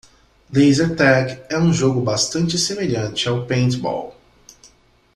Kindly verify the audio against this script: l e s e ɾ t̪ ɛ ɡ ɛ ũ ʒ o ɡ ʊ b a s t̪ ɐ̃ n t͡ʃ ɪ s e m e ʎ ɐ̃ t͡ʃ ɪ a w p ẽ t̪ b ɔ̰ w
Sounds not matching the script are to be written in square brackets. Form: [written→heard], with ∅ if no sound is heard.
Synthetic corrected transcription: l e [s→z] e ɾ t̪ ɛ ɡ ɛ ũ ʒ o ɡ ʊ b a s t̪ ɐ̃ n t͡ʃ ɪ s e m e ʎ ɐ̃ t͡ʃ ɪ a w p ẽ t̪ b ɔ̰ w